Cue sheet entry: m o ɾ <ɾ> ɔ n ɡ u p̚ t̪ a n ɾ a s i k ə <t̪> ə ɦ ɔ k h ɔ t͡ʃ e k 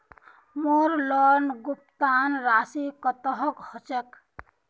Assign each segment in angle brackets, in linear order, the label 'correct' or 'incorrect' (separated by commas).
incorrect, correct